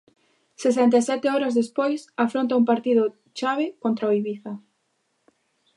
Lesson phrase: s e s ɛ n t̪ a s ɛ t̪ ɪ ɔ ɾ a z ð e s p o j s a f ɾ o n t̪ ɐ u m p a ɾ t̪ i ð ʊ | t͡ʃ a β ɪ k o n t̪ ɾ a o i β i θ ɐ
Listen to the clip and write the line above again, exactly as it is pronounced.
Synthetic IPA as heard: s e s ɛ n t̪ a s ɛ t̪ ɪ ɔ ɾ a z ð e s p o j s a f ɾ o n t̪ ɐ u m p a ɾ t̪ i ð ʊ | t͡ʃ a β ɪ k o n t̪ ɾ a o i β i θ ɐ